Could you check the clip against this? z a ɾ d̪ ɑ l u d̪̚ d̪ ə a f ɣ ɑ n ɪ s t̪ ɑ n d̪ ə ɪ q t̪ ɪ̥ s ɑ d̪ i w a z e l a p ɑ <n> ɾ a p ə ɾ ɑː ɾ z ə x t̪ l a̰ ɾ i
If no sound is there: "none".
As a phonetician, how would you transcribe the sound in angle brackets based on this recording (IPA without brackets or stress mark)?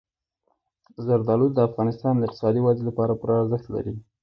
none